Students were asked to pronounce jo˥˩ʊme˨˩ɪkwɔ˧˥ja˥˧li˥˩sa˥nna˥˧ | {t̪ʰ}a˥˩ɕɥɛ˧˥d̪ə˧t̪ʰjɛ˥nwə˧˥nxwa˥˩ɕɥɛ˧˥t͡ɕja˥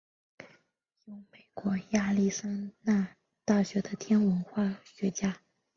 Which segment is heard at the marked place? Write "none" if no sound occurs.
t̪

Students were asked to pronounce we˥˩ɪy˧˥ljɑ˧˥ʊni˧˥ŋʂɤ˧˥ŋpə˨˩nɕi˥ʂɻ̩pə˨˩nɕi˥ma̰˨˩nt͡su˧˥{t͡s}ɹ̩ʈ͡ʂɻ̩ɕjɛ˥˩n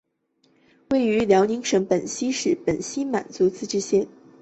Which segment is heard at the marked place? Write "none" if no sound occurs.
t͡s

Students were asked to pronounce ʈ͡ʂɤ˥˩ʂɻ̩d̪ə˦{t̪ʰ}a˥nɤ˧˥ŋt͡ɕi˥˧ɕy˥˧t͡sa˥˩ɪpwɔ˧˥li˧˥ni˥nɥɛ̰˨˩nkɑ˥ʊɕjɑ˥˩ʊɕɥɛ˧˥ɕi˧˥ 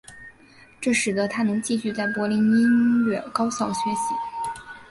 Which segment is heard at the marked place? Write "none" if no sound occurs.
t̪ʰ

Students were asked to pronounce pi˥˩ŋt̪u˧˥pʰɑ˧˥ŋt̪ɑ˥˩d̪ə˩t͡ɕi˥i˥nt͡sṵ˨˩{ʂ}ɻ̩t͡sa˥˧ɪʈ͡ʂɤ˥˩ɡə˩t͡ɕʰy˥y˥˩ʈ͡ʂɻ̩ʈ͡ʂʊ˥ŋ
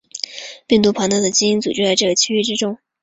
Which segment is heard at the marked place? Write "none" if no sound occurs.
ʈ͡ʂ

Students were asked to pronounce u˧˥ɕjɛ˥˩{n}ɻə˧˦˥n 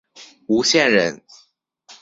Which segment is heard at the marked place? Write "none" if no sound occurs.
n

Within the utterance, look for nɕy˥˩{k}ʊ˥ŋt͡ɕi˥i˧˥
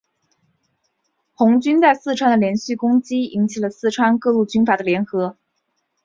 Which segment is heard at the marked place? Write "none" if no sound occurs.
k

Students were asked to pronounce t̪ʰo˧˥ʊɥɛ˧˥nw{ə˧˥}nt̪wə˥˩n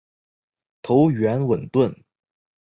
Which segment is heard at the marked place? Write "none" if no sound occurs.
ə˨˩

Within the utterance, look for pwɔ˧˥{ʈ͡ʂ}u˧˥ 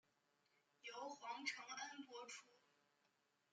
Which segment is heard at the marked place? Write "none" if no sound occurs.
ʈ͡ʂʰ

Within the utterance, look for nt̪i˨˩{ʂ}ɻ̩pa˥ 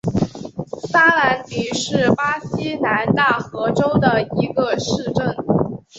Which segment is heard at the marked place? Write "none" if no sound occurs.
ʂ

